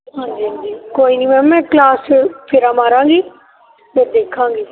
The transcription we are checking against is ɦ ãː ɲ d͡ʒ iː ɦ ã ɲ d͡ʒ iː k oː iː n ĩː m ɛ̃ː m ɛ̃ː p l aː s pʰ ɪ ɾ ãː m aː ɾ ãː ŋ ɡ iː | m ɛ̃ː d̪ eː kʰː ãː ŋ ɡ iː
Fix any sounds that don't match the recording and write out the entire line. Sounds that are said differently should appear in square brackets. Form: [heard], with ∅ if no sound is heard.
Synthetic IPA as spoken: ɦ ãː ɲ d͡ʒ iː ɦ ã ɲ d͡ʒ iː k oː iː n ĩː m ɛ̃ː m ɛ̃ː [k] l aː s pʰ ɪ ɾ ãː m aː ɾ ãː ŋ ɡ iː | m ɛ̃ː d̪ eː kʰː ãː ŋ ɡ iː

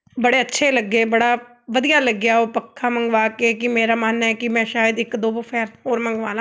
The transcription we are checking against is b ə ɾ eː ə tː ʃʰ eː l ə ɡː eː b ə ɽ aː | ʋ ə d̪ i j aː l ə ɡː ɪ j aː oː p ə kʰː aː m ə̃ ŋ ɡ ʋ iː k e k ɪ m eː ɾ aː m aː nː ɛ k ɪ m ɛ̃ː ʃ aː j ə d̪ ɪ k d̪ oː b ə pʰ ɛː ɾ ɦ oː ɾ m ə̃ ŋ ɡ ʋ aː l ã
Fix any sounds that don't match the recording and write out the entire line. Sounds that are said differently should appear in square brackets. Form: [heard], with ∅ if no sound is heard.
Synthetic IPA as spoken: b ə [ɽ] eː ə tː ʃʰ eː l ə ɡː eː b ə ɽ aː | ʋ ə d̪ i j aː l ə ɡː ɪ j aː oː p ə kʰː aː m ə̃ ŋ ɡ ʋ [aː] k e k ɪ m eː ɾ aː m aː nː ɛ k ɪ m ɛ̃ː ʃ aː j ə d̪ ɪ k d̪ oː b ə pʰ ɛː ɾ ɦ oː ɾ m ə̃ ŋ ɡ ʋ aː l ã

